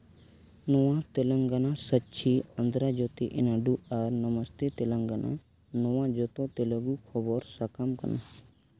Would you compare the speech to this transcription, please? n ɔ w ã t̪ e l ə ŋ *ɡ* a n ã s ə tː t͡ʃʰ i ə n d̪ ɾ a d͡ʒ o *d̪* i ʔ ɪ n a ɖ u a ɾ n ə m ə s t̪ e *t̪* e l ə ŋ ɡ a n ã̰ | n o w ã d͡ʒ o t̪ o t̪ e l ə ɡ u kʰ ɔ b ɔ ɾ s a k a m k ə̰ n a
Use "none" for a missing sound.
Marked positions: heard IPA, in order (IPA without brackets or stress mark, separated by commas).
ɡ, t̪, t̪